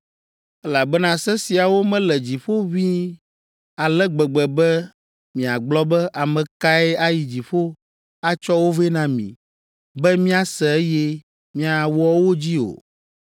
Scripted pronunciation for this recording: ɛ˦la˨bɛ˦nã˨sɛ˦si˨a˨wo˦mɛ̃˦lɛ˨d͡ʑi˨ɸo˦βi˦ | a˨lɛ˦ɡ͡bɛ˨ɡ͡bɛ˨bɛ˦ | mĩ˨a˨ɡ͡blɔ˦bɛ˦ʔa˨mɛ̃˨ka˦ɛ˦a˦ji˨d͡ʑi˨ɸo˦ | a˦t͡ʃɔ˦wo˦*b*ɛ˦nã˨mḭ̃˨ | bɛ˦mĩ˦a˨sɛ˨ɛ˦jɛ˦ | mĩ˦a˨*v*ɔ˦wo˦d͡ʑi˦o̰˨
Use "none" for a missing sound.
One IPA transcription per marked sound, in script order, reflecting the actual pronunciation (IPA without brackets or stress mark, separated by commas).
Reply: v, w